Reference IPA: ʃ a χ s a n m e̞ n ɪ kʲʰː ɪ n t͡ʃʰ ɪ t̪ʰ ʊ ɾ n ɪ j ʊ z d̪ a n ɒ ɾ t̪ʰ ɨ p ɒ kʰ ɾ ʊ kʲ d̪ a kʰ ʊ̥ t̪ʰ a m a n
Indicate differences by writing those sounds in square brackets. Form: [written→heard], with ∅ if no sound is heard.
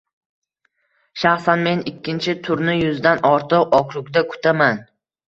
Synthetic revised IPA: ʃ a χ s a n m e̞ n ɪ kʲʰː ɪ n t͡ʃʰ ɪ t̪ʰ ʊ ɾ n ɪ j ʊ z d̪ a n ɒ ɾ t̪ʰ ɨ [p→q] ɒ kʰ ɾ ʊ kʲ d̪ a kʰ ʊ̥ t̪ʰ a m a n

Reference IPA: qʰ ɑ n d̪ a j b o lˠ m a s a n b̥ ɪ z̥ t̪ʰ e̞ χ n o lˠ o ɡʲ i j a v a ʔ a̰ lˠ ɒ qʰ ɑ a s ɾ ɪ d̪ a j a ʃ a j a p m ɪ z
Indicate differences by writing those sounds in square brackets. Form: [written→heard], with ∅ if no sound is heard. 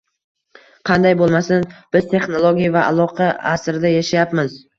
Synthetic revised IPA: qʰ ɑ n d̪ a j b o lˠ m a s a n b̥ ɪ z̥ t̪ʰ e̞ χ n o lˠ o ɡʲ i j a v a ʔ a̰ lˠ ɒ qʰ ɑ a s ɾ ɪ d̪ a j a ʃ a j a p m ɪ z

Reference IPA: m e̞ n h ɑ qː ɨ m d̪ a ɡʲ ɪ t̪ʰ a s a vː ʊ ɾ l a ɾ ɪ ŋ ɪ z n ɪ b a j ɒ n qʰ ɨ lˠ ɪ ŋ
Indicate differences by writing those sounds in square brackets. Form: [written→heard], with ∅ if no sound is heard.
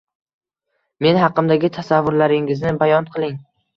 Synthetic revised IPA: m e̞ n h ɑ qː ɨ m d̪ a ɡʲ ɪ t̪ʰ a s a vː ʊ ɾ l a ɾ ɪ ŋ ɪ z n ɪ b a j ɒ n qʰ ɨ lˠ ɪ ŋ

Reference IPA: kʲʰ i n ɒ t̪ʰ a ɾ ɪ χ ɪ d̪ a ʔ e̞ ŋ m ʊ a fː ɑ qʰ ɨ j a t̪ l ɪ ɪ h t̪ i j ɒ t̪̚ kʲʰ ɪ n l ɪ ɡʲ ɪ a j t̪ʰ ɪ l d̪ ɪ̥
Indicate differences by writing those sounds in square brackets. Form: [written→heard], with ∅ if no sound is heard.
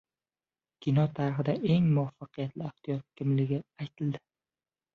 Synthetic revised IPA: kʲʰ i n ɒ t̪ʰ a ɾ ɪ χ ɪ d̪ a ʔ e̞ ŋ m ʊ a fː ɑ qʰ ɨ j a t̪ l ɪ ɪ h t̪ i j ɒ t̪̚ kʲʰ ɪ [n→m] l ɪ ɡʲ ɪ a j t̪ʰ ɪ l d̪ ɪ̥

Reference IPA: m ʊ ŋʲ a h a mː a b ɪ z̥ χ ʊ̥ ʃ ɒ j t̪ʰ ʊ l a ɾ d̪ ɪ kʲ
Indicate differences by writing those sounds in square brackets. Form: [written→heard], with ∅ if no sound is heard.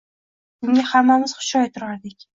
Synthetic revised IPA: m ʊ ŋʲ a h a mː a [b→m] ɪ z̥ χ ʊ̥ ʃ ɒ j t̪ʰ ʊ [l→ɾ] a ɾ d̪ ɪ kʲ

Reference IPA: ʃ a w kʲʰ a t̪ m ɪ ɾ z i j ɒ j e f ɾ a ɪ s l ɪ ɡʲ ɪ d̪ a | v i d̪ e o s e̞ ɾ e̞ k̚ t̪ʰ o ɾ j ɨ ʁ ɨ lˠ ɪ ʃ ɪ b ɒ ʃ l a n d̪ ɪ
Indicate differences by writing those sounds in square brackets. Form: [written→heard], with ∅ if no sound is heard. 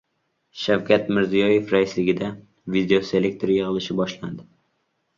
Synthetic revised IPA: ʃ a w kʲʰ a t̪ m ɪ ɾ z i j ɒ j e f ɾ a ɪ s l ɪ ɡʲ ɪ d̪ a | v i d̪ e o s e̞ [ɾ→l] e̞ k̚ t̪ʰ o ɾ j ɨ ʁ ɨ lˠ ɪ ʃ ɪ b ɒ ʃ l a n d̪ ɪ

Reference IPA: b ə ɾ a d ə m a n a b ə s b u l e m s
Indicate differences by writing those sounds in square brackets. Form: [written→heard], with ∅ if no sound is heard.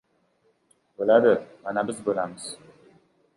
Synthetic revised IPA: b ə [ɾ→l] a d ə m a n a b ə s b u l [e→a] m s

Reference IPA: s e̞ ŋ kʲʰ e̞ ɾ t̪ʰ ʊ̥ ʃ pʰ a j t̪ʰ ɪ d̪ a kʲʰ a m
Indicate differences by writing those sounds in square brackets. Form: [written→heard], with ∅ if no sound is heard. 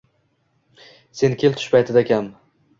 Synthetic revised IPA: s e̞ [ŋ→n] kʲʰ e̞ [ɾ→l] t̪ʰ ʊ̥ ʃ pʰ a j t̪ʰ ɪ d̪ a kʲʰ a m

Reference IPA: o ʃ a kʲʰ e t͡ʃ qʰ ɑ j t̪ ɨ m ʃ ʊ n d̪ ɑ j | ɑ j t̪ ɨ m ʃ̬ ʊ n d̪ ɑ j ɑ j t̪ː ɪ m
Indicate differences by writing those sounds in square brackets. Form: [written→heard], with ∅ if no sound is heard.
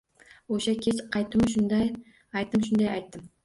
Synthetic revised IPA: o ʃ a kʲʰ e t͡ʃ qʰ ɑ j t̪ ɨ m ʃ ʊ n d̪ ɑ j | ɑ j t̪ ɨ m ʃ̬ ʊ n d̪ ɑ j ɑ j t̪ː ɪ m

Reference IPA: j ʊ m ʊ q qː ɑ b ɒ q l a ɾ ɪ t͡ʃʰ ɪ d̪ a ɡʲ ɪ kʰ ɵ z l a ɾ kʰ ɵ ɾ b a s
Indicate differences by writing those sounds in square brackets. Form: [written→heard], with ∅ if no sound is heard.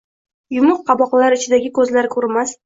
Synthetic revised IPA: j ʊ m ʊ q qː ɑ b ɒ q l a ɾ ɪ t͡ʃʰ ɪ d̪ a ɡʲ ɪ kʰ ɵ z l a ɾ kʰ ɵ ɾ [b→m] a s

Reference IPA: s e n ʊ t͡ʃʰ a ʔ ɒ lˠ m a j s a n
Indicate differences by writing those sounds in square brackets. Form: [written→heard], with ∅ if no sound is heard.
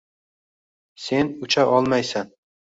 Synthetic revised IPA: s e n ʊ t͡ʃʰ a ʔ ɒ lˠ m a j s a n

